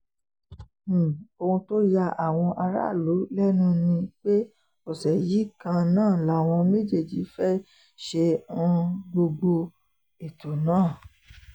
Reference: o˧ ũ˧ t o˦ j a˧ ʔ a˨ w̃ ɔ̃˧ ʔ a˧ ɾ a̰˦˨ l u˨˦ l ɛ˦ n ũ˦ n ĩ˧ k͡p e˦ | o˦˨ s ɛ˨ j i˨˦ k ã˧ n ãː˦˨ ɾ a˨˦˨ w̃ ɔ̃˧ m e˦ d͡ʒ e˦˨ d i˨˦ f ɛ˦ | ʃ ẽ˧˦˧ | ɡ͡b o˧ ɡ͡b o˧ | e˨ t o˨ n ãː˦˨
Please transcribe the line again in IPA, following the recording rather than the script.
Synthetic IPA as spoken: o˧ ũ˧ t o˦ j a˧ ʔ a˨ w̃ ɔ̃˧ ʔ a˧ ɾ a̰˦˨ l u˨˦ l ɛ˦ n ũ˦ n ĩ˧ k͡p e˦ | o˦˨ s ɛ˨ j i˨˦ k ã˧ n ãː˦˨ l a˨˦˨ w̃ ɔ̃˧ m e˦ d͡ʒ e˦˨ d͡ʒ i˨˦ f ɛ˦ | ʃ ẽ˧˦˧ | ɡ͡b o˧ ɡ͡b o˧ | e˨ t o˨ n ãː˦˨